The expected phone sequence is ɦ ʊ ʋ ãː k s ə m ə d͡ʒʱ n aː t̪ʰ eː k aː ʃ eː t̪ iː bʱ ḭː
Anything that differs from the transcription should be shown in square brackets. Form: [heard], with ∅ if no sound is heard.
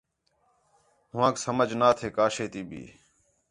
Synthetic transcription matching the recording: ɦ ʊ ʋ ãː k s ə m ə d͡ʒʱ n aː t̪ʰ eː k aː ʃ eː t̪ iː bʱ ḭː